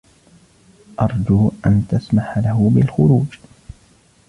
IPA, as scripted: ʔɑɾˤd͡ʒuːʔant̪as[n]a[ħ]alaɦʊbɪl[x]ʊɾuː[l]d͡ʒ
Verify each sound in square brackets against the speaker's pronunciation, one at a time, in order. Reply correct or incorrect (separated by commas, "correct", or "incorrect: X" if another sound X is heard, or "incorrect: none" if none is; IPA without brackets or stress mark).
incorrect: m, correct, correct, incorrect: none